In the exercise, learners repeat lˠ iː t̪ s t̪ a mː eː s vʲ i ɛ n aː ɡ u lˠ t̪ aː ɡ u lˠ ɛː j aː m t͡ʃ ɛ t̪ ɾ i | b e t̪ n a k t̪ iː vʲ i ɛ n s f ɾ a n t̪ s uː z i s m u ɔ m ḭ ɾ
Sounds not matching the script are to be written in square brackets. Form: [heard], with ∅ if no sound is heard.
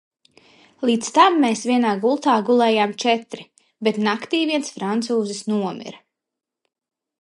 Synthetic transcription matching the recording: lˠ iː t̪ s t̪ a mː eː s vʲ i ɛ n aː ɡ u lˠ t̪ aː ɡ u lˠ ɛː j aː m t͡ʃ ɛ t̪ ɾ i | b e t̪ n a k t̪ iː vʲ i ɛ n s f ɾ a n t̪ s uː z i s [n] u ɔ m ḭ ɾ